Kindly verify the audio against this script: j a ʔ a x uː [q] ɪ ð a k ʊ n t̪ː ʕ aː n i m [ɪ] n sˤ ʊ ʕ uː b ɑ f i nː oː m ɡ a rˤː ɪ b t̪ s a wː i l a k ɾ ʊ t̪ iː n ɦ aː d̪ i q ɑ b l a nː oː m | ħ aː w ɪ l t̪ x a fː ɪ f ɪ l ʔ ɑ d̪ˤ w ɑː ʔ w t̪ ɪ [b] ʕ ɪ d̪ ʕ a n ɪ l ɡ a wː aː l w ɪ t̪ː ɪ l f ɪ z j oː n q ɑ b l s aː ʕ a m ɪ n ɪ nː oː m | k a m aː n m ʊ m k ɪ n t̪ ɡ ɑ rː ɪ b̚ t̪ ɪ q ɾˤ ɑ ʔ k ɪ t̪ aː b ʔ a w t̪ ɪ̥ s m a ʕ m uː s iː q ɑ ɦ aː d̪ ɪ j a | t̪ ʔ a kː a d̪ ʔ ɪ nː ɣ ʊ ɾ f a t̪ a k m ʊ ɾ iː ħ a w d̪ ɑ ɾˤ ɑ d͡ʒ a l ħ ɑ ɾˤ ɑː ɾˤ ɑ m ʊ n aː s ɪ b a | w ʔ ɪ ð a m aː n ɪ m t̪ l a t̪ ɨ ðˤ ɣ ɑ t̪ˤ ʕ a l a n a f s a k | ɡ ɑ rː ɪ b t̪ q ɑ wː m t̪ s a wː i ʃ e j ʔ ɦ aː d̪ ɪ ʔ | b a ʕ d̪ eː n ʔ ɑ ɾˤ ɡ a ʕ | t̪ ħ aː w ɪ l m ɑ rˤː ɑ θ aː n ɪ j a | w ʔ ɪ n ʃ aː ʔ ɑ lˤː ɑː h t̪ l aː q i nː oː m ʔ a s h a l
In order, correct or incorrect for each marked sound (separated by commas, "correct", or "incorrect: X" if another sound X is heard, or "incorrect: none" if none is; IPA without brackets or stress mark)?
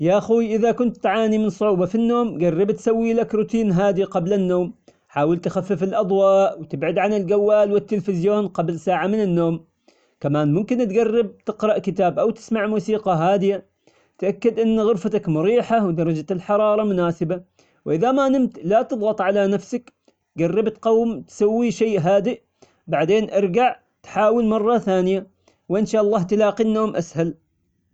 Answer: incorrect: ʔ, correct, correct